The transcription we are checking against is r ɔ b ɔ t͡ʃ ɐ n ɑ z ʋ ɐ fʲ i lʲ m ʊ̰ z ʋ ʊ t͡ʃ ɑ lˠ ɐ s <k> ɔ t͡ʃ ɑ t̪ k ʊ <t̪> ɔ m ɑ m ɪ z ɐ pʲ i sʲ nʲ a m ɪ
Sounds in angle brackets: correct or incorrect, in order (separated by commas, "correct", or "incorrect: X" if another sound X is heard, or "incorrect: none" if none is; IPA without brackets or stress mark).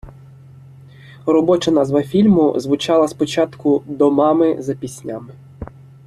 incorrect: p, incorrect: d̪